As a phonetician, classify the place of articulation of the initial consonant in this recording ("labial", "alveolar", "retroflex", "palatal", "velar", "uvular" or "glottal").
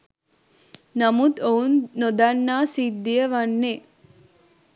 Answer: alveolar